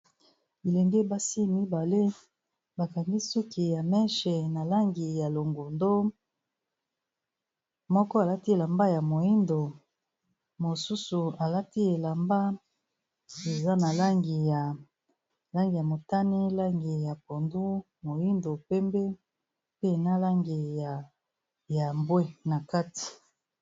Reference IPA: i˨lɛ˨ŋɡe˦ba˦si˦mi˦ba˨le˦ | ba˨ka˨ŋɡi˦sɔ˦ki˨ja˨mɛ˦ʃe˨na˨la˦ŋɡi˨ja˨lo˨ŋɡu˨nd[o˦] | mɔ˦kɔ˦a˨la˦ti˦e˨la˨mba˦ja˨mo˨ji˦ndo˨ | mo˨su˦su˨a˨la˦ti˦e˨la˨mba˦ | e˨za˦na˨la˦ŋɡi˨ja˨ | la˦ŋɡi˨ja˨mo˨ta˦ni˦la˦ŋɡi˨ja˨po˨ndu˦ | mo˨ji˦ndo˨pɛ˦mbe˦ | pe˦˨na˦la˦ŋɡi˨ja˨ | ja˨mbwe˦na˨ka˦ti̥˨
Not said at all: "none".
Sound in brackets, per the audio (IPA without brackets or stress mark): o˦